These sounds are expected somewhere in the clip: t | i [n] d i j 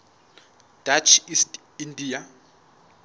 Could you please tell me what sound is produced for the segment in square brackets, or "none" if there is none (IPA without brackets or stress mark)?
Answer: n